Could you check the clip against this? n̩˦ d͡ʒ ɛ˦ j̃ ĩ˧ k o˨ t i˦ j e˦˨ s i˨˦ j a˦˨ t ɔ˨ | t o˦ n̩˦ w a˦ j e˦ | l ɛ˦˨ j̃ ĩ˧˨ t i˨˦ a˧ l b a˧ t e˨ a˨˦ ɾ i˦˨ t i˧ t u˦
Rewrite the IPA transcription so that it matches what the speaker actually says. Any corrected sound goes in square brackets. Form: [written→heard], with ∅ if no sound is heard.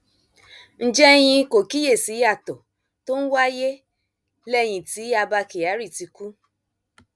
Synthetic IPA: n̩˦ d͡ʒ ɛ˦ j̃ ĩ˧ k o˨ [t→k] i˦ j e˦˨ s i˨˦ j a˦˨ t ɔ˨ | t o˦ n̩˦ w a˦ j e˦ | l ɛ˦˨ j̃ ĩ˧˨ t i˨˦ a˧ [l→∅] b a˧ [t→k] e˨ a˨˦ ɾ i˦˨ t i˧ [t→k] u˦